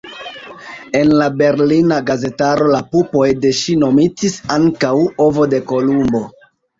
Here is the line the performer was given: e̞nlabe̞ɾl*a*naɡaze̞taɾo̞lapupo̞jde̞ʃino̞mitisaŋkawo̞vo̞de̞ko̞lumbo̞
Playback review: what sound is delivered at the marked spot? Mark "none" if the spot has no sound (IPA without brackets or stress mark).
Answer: i